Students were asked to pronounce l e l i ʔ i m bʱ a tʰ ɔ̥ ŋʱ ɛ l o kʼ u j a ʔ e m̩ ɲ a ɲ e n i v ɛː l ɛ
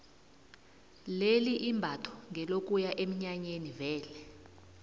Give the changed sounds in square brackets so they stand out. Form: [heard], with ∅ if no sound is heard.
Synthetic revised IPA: l e l i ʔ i m bʱ a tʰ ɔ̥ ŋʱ ɛ l o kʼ u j a ʔ e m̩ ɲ a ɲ e n i v ɛː l ɛ